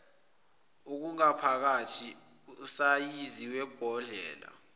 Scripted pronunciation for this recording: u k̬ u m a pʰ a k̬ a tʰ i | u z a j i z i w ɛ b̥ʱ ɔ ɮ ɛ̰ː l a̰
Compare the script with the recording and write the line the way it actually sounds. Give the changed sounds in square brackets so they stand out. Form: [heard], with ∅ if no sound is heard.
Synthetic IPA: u k̬ u [ŋ] a pʰ a k̬ a tʰ i | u [s] a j i z i w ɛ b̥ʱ ɔ ɮ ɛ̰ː l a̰